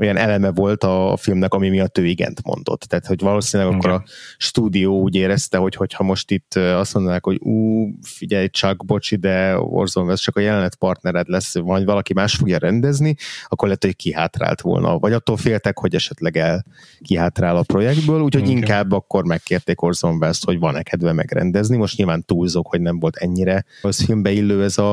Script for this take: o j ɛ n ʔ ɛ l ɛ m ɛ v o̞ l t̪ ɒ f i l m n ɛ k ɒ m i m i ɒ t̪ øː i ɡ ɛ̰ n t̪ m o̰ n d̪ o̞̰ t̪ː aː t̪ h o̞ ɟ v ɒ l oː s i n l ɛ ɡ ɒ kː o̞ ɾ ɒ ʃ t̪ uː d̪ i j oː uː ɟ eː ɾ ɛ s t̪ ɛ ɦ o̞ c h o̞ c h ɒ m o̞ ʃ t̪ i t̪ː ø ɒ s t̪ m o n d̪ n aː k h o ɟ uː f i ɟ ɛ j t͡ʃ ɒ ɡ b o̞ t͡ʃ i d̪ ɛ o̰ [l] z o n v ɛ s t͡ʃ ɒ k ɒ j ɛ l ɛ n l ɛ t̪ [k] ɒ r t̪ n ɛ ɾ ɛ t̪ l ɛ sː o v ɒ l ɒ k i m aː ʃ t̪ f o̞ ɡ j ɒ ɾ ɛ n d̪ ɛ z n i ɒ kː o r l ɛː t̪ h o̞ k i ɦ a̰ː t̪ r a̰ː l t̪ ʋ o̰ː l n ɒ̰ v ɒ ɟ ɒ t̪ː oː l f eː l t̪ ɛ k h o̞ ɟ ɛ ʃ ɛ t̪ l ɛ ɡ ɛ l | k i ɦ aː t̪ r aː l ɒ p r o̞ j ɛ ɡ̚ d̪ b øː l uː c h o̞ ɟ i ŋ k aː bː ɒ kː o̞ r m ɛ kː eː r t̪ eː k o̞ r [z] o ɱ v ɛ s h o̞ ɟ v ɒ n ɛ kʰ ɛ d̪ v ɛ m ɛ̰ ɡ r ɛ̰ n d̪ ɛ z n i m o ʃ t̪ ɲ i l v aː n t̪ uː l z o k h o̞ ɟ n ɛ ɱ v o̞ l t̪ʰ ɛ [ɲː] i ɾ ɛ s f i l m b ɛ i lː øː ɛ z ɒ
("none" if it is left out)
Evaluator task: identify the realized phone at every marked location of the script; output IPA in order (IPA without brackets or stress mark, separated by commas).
r, p, z, ɲː